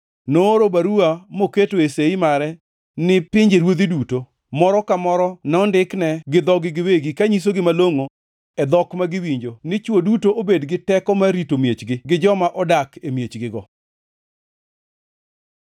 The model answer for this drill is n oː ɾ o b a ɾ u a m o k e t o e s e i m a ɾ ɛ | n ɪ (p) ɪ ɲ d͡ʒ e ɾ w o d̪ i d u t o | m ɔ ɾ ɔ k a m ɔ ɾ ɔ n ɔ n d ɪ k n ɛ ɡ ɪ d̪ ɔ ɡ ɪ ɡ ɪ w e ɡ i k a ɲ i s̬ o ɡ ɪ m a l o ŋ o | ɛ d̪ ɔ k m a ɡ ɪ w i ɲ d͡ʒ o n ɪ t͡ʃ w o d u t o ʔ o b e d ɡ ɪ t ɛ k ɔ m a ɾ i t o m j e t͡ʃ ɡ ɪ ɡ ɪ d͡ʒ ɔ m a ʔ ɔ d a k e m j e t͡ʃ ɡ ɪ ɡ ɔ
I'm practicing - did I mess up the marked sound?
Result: no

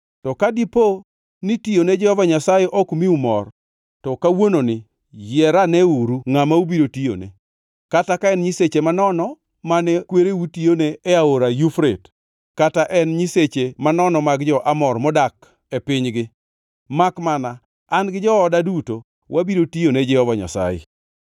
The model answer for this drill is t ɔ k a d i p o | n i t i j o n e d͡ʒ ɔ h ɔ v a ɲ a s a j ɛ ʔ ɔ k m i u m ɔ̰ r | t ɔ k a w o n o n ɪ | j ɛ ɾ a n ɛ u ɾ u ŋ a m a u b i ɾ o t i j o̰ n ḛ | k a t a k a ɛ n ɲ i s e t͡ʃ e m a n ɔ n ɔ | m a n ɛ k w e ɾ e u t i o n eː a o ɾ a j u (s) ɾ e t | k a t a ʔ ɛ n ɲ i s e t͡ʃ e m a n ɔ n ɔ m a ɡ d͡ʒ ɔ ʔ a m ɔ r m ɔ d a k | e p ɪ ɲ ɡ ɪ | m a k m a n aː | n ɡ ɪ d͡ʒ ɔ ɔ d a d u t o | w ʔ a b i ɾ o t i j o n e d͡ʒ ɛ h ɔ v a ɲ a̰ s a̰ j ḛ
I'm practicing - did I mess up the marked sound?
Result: yes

